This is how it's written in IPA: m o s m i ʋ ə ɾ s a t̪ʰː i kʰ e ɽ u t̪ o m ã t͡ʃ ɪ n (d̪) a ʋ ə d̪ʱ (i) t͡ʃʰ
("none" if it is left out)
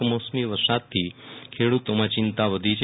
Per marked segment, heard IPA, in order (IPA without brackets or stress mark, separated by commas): t̪, i